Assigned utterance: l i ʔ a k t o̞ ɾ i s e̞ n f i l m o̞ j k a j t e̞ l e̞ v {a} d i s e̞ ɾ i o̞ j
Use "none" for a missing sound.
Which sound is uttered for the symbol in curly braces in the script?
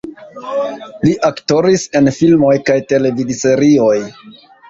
i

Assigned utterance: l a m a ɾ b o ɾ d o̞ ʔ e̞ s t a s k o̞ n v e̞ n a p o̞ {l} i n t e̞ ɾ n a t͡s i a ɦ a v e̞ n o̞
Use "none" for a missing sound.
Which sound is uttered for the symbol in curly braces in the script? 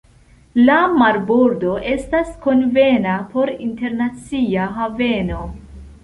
ɾ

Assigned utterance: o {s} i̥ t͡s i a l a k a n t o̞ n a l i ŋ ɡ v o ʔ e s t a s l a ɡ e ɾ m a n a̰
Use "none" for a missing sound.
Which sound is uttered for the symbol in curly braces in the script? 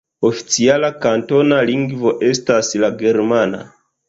f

